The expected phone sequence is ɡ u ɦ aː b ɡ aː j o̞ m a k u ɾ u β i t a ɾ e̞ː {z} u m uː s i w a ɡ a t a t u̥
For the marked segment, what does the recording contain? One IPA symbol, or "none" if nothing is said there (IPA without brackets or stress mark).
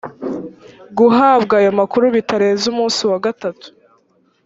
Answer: z